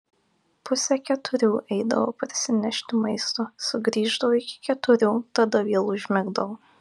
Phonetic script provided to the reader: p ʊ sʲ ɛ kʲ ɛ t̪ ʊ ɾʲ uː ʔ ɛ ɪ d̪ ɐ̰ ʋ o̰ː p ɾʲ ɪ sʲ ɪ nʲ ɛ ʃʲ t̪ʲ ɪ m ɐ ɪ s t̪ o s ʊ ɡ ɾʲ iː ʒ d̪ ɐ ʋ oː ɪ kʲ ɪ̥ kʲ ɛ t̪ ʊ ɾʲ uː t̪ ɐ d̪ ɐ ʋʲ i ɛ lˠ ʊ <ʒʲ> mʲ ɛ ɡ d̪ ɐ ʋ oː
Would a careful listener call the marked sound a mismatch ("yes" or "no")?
no